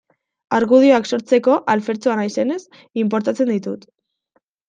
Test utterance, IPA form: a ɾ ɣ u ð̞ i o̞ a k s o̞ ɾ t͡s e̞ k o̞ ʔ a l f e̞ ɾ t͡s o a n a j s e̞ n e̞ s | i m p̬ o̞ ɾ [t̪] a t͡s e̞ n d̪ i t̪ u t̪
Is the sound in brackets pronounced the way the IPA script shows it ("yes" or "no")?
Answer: yes